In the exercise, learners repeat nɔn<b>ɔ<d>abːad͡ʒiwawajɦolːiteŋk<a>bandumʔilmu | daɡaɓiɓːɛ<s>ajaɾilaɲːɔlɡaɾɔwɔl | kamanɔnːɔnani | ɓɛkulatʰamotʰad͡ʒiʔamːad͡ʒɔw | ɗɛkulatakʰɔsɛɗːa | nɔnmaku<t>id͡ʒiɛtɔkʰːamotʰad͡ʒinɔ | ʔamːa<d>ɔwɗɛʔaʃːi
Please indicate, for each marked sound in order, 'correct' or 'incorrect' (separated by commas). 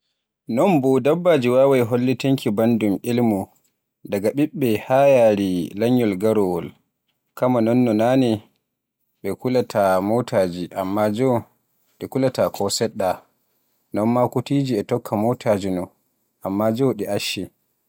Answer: correct, correct, incorrect, incorrect, correct, incorrect